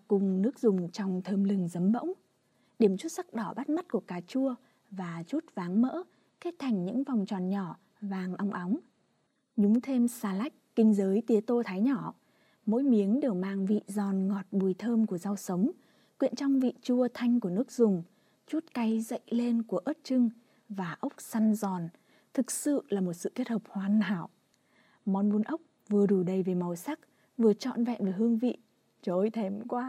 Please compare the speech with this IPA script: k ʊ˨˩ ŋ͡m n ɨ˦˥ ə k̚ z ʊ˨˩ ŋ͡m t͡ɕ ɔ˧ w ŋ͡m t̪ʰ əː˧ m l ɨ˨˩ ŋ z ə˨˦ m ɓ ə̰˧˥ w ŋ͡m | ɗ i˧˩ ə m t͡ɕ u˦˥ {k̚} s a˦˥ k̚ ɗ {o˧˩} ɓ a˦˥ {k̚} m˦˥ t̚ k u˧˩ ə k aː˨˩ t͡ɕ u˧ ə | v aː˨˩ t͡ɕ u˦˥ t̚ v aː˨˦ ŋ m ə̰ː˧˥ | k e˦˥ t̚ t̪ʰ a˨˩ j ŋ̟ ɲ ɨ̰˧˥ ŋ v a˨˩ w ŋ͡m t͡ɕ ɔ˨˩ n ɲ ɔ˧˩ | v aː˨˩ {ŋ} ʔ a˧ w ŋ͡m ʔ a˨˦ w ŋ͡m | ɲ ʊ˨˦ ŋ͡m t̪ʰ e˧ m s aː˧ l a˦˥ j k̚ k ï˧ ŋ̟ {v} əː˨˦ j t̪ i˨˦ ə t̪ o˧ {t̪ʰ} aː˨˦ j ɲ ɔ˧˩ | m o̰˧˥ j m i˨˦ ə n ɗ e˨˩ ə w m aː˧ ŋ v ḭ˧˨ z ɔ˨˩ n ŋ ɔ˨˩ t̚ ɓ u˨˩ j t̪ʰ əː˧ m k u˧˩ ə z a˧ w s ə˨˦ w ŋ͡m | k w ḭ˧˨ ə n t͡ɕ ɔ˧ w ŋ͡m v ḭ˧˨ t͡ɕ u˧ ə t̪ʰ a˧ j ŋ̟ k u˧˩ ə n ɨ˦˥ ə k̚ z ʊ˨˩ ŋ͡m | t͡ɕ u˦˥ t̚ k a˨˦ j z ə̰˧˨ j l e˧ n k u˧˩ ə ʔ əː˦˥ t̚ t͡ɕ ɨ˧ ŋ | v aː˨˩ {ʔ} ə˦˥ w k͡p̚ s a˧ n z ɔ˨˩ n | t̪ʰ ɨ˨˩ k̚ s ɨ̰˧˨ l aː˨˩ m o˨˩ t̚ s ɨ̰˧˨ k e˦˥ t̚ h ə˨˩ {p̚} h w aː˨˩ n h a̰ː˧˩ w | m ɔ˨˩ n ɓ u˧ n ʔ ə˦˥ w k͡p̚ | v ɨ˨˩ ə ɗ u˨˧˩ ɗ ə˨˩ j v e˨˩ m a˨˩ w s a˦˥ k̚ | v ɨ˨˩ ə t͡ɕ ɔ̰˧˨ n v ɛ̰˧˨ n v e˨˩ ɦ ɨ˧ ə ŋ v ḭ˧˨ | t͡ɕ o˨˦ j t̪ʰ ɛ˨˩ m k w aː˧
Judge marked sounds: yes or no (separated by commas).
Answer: no, no, no, yes, no, yes, yes, yes